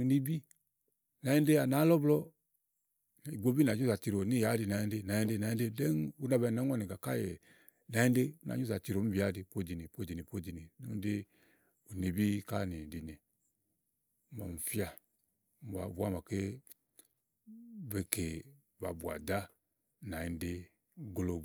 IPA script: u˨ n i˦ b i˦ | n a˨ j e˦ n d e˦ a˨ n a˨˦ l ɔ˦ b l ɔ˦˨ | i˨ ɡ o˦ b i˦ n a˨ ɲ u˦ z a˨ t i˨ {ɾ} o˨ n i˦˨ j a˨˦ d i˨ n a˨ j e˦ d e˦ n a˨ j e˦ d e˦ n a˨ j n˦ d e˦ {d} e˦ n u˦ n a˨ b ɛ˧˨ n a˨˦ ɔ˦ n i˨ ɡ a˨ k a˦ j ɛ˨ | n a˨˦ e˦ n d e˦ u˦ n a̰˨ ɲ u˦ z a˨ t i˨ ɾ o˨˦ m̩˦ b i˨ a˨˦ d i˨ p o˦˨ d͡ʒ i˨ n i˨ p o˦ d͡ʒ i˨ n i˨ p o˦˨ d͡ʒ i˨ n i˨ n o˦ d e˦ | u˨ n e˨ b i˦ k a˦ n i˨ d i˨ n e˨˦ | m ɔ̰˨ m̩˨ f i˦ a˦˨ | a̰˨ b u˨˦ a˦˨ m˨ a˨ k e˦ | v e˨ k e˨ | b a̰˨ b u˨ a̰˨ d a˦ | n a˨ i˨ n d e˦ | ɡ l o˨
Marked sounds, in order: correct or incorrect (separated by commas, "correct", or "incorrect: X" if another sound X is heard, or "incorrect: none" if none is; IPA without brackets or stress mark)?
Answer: correct, correct